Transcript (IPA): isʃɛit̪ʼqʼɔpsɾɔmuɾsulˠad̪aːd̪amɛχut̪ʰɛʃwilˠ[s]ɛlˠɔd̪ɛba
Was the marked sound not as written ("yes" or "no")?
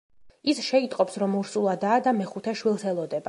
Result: no